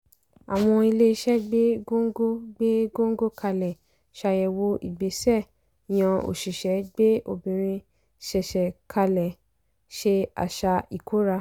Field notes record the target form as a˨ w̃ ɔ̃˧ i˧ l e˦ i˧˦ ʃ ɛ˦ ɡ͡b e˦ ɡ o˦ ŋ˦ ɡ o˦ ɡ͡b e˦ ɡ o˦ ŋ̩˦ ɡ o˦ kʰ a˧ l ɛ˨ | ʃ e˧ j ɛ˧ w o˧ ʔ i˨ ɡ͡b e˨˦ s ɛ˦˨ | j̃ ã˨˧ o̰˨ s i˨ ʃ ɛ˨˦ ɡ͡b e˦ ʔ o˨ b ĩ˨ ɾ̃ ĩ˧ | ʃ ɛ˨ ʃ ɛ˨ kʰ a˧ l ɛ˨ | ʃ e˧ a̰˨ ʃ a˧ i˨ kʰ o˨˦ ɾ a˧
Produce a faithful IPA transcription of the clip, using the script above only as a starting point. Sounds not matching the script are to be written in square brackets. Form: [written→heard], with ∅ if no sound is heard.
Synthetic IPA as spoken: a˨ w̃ ɔ̃˧ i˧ l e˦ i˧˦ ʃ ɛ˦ ɡ͡b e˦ ɡ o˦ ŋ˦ ɡ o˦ ɡ͡b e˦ ɡ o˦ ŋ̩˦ ɡ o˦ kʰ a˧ l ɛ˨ | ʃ [e˧→a˧] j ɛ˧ w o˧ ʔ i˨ ɡ͡b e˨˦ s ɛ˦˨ | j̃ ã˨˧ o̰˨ [s→ʃ] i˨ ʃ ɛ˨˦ ɡ͡b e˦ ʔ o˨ b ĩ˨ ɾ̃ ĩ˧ | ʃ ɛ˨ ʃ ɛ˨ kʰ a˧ l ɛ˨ | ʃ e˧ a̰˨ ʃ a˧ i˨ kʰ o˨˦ ɾ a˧